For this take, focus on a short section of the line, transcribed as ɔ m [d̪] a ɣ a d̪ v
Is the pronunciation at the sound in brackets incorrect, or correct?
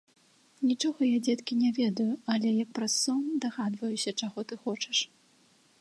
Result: correct